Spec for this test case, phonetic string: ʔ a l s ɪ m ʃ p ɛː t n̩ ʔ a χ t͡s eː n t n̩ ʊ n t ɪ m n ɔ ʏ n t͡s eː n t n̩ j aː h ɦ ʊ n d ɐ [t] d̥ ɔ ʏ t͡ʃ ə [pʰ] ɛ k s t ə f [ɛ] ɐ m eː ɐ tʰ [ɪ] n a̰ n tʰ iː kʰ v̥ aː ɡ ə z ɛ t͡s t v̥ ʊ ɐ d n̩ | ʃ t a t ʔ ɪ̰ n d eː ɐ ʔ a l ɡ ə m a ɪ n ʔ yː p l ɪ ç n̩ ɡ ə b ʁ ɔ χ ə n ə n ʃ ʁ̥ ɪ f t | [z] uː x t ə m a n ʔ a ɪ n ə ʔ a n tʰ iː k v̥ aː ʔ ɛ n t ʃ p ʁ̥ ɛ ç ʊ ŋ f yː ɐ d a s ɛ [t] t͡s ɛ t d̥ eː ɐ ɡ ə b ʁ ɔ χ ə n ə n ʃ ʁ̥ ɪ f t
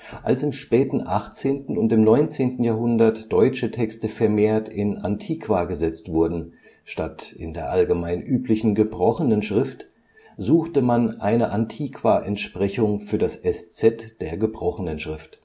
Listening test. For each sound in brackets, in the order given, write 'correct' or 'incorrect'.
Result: correct, incorrect, correct, correct, correct, incorrect

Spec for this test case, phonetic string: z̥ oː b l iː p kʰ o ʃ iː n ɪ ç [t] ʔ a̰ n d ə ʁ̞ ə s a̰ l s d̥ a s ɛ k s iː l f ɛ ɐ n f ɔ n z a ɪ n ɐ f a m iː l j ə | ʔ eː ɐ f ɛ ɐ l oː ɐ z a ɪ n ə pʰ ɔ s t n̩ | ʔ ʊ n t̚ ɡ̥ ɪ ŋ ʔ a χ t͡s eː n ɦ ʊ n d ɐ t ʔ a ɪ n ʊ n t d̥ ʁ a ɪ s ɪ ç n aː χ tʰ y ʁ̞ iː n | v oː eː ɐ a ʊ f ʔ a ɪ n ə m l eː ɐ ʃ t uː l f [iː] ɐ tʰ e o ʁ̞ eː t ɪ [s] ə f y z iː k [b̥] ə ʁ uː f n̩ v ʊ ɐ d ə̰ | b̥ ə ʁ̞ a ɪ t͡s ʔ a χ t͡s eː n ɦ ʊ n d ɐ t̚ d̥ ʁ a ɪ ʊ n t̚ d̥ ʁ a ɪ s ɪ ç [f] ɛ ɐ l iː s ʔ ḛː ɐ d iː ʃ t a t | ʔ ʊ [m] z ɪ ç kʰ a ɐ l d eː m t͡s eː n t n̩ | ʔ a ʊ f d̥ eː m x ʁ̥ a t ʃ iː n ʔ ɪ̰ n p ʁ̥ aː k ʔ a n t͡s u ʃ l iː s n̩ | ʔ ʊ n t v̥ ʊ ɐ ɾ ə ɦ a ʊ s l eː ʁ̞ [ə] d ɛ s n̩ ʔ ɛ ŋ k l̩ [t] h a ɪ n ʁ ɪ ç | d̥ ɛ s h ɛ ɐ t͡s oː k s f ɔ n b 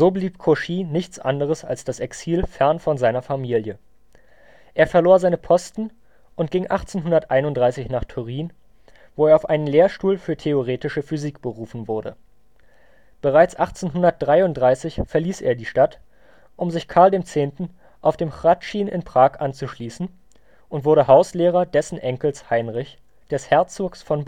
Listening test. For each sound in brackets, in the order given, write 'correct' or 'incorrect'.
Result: incorrect, incorrect, incorrect, correct, correct, correct, incorrect, incorrect

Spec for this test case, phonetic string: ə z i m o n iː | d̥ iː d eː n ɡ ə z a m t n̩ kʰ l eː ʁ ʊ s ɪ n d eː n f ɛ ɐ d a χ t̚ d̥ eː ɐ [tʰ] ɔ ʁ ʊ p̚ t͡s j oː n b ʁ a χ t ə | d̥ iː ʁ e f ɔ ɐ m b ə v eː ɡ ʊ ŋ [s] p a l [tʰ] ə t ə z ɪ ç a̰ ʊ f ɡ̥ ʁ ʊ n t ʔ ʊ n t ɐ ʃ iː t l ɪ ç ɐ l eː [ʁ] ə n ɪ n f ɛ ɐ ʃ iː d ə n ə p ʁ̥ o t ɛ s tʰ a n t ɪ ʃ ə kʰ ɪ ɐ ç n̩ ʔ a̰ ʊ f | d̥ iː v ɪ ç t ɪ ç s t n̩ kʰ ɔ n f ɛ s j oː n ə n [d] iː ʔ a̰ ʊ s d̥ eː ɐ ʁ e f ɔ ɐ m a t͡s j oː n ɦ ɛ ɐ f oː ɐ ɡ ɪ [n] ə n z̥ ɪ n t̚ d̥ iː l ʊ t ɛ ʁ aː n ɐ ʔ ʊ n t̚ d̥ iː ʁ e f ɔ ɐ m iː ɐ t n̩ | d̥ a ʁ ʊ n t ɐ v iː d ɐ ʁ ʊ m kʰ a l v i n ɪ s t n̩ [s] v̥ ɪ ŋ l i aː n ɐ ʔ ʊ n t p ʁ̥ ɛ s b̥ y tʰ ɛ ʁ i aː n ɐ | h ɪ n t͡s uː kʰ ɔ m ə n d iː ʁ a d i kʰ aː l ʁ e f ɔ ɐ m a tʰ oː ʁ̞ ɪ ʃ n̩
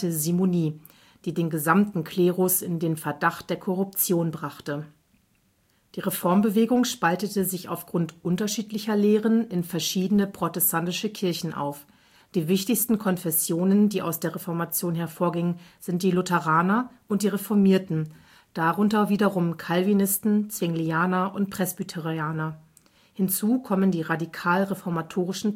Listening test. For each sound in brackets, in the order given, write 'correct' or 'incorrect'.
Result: incorrect, incorrect, incorrect, correct, correct, incorrect, incorrect

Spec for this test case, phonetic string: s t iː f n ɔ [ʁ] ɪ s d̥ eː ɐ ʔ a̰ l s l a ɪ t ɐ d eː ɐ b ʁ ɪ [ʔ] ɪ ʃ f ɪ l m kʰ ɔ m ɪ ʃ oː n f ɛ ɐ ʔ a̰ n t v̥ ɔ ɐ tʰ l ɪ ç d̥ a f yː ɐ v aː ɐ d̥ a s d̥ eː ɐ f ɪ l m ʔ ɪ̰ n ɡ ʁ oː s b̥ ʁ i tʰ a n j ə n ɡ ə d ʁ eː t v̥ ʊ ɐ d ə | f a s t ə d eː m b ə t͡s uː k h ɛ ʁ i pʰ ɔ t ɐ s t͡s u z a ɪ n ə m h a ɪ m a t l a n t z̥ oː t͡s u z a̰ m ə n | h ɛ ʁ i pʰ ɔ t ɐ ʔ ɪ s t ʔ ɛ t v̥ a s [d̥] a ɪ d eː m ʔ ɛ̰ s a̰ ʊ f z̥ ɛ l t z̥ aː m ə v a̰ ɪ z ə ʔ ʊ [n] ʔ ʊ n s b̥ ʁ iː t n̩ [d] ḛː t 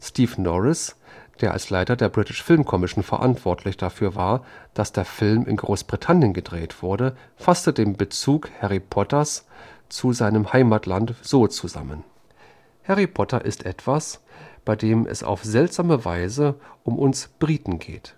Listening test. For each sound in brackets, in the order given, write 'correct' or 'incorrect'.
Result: correct, incorrect, incorrect, incorrect, incorrect

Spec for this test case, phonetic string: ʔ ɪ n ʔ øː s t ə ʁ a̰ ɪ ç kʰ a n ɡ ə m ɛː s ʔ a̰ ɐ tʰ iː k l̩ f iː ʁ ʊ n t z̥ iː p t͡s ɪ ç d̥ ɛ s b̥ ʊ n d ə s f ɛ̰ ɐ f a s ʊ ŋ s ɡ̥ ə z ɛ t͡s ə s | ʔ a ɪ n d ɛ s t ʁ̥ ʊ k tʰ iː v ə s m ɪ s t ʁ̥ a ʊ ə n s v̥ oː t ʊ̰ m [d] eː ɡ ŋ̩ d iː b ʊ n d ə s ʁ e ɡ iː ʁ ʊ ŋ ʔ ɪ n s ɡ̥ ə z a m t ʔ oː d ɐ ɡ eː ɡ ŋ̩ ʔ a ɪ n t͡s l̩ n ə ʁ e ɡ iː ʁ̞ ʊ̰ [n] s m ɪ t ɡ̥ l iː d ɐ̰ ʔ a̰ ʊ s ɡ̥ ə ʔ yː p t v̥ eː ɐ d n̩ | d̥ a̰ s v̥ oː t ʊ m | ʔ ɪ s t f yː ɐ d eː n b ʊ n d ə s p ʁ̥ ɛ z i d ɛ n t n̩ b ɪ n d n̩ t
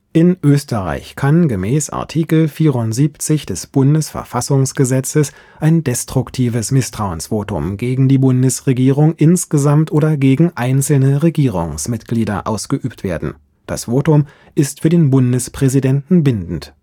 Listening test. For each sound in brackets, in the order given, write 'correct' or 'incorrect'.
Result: incorrect, incorrect

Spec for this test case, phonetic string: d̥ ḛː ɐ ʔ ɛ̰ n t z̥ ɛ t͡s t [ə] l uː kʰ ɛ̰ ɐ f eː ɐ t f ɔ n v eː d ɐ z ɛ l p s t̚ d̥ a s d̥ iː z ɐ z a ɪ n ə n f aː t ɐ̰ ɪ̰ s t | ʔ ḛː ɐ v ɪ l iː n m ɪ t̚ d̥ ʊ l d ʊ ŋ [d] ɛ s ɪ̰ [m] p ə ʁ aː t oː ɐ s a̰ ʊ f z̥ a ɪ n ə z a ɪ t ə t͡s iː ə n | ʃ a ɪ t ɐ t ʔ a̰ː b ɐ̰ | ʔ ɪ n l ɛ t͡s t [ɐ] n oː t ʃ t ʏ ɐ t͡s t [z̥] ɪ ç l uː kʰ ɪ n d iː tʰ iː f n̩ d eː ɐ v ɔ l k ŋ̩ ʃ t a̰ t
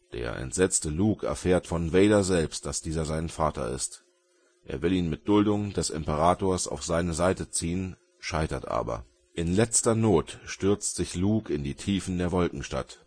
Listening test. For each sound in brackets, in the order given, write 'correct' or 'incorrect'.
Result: correct, correct, correct, correct, correct

